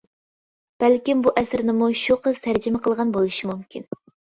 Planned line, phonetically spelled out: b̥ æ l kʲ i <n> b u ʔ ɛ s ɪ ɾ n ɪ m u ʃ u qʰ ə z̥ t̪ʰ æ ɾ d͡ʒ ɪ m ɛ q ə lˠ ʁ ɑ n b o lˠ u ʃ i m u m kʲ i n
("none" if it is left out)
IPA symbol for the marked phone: m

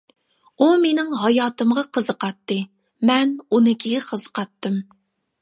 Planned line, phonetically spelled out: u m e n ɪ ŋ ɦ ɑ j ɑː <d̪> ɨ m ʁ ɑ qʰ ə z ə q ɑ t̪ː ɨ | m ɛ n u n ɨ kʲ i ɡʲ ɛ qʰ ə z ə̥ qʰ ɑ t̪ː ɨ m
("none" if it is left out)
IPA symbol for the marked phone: t̪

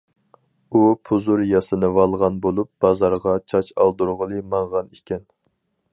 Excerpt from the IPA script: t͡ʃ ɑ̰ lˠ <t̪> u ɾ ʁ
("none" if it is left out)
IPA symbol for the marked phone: d̪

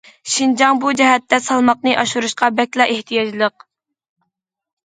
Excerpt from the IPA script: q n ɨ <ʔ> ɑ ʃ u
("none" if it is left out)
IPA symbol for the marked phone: ʔ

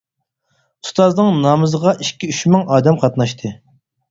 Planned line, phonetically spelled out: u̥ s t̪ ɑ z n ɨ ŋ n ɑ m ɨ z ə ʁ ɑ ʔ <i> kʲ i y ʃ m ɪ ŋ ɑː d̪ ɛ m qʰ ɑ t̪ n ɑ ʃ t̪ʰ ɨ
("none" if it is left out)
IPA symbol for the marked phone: i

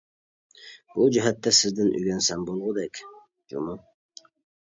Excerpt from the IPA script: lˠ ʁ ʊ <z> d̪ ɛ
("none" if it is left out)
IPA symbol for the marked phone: none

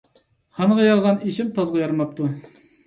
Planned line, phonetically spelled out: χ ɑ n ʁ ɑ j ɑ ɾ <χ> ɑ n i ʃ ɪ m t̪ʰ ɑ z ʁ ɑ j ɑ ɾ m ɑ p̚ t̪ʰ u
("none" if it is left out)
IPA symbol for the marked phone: ʁ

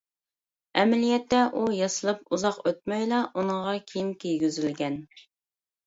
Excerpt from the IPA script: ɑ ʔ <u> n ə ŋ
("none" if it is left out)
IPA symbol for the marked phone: u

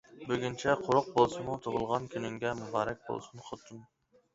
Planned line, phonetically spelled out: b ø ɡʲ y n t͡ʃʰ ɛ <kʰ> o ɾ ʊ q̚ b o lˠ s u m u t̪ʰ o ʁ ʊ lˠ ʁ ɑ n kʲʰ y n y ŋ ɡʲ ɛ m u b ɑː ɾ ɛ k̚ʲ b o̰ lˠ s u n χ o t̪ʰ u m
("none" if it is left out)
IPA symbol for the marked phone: qʰ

